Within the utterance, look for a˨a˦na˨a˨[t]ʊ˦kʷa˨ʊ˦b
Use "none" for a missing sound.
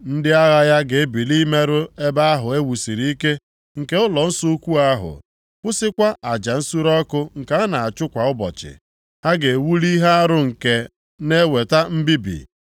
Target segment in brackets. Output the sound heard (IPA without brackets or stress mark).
t͡ʃ